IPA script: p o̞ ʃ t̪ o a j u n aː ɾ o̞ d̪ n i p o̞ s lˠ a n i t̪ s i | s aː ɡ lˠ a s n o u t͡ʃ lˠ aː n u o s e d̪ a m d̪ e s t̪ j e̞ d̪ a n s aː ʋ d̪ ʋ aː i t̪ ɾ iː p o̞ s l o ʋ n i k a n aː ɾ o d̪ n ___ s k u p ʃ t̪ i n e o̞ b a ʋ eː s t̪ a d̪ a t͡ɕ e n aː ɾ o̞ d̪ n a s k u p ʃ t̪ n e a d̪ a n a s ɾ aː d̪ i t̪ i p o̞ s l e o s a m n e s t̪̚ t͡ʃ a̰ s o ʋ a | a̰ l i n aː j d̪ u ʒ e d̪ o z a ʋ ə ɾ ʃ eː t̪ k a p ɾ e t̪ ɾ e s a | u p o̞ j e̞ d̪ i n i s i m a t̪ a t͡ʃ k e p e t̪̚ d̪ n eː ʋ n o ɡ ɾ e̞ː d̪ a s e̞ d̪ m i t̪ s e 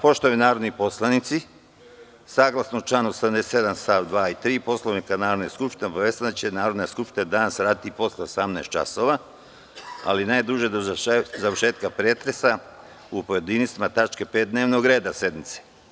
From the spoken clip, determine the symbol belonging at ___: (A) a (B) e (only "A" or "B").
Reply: B